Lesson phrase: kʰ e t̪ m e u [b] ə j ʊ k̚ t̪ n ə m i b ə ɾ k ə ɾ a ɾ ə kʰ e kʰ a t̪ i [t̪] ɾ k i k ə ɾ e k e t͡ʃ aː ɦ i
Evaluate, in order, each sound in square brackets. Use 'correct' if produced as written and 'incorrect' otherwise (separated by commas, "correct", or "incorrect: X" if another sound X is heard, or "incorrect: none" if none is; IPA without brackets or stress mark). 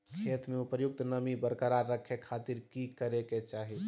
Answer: incorrect: p, incorrect: none